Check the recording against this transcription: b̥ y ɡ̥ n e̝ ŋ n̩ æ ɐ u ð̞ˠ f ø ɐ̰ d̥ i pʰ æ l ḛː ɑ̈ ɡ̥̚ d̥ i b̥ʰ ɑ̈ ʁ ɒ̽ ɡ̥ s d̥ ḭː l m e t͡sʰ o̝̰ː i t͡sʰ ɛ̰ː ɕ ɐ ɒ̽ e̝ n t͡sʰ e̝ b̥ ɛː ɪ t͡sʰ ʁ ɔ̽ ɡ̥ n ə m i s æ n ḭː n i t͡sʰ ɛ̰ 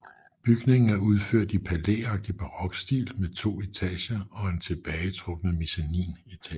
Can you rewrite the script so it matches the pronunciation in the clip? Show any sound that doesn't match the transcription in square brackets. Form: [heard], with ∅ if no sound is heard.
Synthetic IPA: b̥ y ɡ̥ n e̝ ŋ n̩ æ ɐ u ð̞ˠ f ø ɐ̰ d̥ i pʰ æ l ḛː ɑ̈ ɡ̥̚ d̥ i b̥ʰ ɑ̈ ʁ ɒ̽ ɡ̥ s d̥ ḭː l m e t͡sʰ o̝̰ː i t͡sʰ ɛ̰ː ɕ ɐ ɒ̽ e̝ n t͡sʰ e̝ b̥ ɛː ɪ t͡sʰ ʁ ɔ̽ ɡ̥ n ə m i s æ n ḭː n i t͡sʰ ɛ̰

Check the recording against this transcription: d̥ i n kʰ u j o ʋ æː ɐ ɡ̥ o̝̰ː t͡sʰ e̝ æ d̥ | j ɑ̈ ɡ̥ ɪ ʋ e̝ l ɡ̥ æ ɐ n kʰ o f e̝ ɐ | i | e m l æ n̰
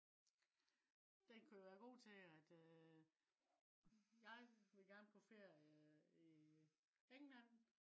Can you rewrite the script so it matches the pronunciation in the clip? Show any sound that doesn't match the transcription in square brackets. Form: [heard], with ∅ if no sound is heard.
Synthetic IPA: d̥ [e] n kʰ u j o ʋ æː ɐ ɡ̥ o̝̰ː t͡sʰ e̝ æ d̥ | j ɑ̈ [∅] ɪ ʋ e̝ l ɡ̥ æ ɐ n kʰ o f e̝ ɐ | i | e [ŋ] l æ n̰

